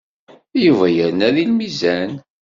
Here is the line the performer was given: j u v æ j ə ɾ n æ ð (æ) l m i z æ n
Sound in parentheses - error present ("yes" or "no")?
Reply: yes